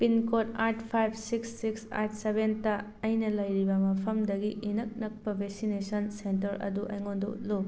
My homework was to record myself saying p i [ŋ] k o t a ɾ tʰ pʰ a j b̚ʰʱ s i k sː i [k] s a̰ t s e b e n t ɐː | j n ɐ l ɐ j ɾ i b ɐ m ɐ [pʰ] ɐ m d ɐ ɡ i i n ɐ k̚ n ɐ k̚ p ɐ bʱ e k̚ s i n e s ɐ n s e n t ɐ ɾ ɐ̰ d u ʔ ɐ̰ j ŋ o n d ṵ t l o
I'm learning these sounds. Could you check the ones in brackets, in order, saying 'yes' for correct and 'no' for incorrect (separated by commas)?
no, yes, yes